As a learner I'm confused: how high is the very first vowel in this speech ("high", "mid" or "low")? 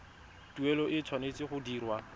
high